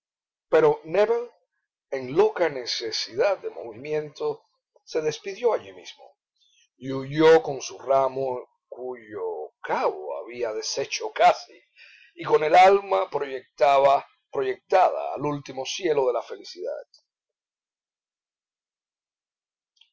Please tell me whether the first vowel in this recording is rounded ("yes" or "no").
no